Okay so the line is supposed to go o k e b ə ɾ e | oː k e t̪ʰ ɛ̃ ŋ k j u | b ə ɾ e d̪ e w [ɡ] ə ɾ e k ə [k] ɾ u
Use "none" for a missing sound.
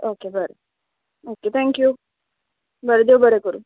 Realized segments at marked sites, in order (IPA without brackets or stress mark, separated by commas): b, none